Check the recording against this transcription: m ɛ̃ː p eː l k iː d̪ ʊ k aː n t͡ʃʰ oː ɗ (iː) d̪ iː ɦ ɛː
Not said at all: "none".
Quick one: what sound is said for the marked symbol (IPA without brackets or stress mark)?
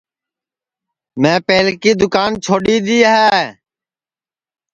iː